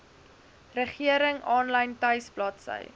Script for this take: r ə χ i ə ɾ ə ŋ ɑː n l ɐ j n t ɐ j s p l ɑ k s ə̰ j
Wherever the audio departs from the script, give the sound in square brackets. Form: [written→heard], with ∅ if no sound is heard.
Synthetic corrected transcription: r ə χ i ə ɾ ə ŋ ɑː n l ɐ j n t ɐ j s p l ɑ [k→t] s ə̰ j